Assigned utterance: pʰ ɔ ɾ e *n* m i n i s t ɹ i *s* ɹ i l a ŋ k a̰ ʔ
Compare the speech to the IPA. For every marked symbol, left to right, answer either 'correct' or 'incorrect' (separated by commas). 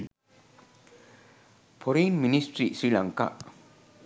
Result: correct, correct